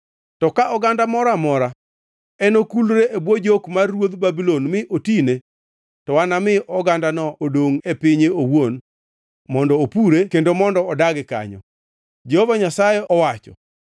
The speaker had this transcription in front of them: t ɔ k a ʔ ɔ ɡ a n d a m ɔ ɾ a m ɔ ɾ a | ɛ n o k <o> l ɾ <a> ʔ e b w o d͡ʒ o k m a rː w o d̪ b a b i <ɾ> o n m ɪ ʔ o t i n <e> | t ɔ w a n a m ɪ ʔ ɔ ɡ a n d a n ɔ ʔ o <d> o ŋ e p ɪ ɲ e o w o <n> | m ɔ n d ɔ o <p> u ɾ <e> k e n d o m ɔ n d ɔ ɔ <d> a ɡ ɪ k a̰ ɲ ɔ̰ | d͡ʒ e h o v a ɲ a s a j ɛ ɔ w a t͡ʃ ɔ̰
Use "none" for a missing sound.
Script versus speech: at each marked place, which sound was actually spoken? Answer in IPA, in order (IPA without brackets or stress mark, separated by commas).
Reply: u, e, l, e, d, n, p, e, d